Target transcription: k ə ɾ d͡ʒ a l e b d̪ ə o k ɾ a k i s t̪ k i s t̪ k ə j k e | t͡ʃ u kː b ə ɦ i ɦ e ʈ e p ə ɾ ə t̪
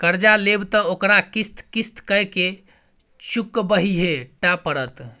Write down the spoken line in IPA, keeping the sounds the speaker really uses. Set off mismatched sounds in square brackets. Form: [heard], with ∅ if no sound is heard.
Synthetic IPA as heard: k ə ɾ d͡ʒ a l e b [t̪] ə o k ɾ a k i s t̪ k i s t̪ k ə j k e | t͡ʃ u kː b ə ɦ i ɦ e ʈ [a] p ə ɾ ə t̪